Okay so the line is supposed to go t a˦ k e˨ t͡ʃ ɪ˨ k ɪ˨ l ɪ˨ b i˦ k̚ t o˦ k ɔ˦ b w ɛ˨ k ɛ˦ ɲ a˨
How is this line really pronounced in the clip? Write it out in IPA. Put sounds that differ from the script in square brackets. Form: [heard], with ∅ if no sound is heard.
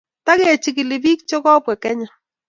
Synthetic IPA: t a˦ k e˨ t͡ʃ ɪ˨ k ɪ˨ l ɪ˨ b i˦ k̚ [t͡ʃ] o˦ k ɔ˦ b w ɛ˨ k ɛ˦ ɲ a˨